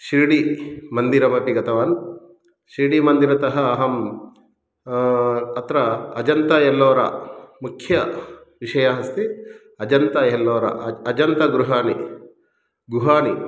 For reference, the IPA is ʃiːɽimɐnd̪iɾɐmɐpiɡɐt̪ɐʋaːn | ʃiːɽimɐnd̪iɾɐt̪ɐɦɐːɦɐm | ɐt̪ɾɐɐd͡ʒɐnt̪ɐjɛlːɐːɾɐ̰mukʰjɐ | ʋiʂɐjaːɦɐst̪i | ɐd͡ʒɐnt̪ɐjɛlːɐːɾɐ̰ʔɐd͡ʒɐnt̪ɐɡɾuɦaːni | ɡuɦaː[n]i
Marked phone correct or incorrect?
correct